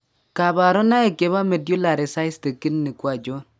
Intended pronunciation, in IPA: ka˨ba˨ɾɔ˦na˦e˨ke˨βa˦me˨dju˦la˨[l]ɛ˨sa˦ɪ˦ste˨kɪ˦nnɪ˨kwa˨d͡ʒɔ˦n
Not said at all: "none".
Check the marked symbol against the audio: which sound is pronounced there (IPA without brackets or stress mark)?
ɾ